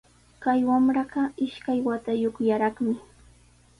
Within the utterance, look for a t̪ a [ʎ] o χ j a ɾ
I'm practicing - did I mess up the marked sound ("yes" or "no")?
yes